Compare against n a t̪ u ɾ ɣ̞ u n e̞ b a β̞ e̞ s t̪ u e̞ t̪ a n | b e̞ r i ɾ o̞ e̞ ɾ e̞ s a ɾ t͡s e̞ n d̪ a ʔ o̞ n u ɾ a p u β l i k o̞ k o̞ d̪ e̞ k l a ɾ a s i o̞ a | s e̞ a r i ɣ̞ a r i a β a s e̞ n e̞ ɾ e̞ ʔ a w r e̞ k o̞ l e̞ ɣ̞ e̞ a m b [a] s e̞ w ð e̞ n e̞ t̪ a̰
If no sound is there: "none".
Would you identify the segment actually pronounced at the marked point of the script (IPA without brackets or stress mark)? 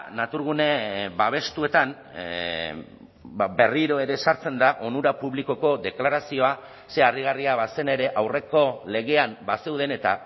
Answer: a